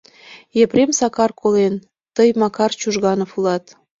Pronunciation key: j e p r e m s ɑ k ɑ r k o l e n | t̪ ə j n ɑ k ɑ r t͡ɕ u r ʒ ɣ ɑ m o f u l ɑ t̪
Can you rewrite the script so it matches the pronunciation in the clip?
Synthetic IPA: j e p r e m s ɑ k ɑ r k o l e n | t̪ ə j m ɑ k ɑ r t͡ɕ u ʒ ɣ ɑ n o f u l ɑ t̪